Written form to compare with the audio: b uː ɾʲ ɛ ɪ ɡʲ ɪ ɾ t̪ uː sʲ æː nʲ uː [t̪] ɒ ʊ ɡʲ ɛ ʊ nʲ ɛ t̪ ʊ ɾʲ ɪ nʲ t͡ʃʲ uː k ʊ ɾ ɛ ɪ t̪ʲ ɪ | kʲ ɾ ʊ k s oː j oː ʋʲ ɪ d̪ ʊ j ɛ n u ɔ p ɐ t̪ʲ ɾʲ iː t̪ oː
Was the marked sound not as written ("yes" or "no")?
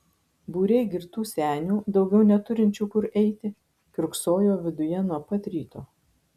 yes